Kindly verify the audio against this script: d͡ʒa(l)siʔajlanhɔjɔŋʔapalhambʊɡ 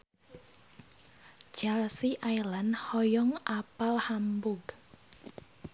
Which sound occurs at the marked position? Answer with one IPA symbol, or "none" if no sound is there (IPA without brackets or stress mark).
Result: l